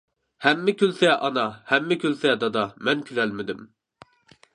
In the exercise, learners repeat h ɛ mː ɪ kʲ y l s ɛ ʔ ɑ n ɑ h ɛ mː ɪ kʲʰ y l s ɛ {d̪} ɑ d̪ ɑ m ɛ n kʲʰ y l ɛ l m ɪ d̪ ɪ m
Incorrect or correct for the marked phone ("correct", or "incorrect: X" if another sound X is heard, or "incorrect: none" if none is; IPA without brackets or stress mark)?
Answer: correct